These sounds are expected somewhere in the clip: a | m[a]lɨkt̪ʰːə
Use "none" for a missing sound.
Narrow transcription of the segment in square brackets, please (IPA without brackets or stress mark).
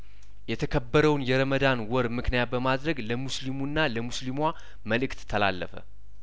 ə